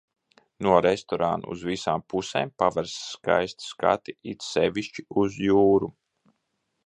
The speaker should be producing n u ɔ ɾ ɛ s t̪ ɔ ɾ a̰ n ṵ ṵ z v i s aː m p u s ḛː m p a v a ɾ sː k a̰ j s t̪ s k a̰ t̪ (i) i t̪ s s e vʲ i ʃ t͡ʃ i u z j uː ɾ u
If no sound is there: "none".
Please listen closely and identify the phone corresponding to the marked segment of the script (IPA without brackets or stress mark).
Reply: i